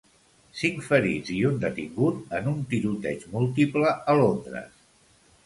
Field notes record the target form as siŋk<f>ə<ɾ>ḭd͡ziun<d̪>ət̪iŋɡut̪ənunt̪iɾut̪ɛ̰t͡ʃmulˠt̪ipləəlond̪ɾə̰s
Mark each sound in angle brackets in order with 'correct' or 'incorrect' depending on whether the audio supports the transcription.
correct, correct, correct

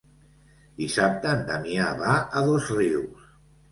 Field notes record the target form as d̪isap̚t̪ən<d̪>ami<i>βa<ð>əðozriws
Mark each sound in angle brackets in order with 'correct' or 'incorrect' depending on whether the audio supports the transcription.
correct, incorrect: a, incorrect: none

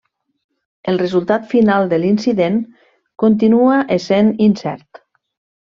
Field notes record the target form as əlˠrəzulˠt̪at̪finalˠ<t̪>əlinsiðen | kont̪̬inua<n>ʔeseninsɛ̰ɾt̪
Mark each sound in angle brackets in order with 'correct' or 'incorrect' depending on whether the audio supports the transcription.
incorrect: d̪, incorrect: none

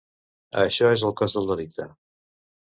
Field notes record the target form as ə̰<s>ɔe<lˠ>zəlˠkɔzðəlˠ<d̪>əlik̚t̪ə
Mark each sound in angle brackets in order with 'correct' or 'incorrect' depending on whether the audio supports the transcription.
incorrect: ʃ, incorrect: none, correct

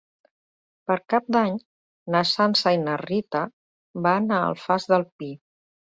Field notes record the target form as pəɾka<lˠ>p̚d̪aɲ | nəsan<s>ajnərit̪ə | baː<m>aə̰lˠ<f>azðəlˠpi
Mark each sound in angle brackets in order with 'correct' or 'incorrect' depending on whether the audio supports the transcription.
incorrect: none, correct, incorrect: n, correct

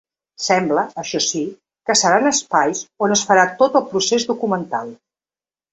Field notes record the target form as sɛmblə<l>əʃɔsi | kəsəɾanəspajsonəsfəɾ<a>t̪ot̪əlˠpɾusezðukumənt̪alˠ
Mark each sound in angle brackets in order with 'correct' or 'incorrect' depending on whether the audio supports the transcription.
incorrect: none, correct

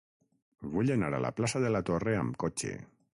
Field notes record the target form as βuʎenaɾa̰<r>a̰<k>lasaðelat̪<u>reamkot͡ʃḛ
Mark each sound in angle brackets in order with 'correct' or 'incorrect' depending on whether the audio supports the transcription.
incorrect: l, incorrect: p, incorrect: o

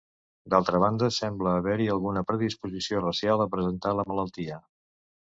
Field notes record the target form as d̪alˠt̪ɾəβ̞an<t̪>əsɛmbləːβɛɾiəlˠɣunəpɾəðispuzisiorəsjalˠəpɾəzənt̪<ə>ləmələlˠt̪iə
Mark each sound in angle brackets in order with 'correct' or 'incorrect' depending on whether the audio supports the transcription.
incorrect: d̪, incorrect: a

